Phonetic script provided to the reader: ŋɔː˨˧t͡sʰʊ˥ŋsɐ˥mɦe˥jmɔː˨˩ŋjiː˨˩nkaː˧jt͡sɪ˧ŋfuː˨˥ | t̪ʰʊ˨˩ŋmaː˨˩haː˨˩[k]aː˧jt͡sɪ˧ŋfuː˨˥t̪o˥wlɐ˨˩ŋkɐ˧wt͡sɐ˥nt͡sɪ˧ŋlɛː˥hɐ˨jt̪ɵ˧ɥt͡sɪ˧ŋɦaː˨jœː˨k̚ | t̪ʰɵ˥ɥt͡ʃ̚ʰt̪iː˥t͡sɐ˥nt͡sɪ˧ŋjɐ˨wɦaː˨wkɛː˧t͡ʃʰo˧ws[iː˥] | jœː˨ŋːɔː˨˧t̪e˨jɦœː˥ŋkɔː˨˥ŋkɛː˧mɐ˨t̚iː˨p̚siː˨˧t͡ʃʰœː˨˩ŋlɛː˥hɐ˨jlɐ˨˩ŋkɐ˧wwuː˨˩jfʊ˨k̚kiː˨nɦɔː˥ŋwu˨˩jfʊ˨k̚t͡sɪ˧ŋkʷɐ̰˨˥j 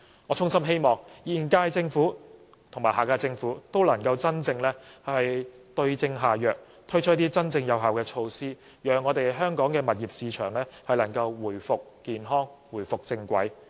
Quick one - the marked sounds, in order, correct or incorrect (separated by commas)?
correct, correct